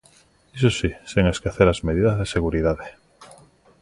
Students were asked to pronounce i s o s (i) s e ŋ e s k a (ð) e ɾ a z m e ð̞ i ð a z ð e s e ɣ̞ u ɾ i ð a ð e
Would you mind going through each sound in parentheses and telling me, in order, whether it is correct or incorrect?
correct, incorrect

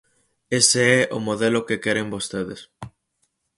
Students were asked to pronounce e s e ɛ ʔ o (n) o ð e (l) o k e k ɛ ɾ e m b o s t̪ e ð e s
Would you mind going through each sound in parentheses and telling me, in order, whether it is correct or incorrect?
incorrect, correct

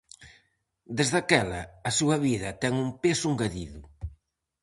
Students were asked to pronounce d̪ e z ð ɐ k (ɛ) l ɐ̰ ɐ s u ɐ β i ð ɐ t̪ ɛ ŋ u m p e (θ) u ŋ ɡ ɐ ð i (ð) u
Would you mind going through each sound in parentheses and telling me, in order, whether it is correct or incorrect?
correct, incorrect, correct

